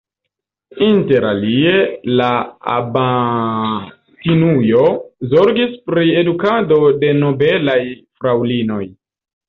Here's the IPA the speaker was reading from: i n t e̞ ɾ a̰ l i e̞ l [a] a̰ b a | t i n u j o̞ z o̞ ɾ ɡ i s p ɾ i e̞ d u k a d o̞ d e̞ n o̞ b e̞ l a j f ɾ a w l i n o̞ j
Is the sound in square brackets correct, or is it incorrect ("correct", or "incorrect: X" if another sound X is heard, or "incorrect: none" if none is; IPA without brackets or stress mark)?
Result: correct